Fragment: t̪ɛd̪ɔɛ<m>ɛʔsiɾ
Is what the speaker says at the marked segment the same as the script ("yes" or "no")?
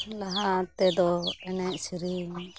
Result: no